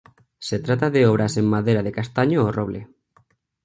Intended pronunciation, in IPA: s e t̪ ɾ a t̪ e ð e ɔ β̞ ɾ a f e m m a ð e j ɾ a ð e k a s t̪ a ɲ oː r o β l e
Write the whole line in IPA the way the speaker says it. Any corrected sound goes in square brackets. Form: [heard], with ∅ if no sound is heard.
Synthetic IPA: s e t̪ ɾ a t̪ [a] ð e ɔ β̞ ɾ a [s] e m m a ð e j ɾ a ð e k a s t̪ a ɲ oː r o β l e